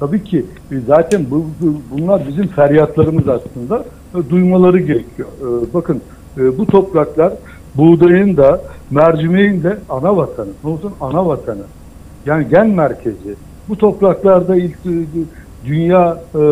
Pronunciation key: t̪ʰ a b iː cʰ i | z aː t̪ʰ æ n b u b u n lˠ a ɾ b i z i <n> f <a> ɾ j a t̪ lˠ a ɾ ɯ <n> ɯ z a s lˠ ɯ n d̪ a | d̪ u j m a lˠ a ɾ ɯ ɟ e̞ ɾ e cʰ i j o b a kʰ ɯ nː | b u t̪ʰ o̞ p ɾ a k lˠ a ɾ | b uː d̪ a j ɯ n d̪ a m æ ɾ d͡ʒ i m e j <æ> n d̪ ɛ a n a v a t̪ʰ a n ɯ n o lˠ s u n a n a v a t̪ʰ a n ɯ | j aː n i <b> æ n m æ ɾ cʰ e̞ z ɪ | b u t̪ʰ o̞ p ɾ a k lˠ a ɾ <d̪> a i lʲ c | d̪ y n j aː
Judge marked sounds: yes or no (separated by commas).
no, no, no, no, no, yes